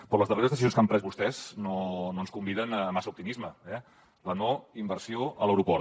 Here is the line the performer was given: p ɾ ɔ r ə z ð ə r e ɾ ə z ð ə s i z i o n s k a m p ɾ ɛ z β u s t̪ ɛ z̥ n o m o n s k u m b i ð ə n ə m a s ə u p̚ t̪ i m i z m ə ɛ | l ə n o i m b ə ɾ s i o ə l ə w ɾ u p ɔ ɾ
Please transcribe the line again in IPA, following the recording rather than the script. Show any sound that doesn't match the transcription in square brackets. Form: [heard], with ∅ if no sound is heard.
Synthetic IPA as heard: p ɾ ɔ [l] ə z ð ə r e ɾ ə z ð ə s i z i o n s k a m p ɾ ɛ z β u s t̪ ɛ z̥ n o [n] o n s k u m b i ð ə n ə m a s ə u p̚ t̪ i m i z m ə ɛ | l ə n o i m b ə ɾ s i o ə l ə w ɾ u p ɔ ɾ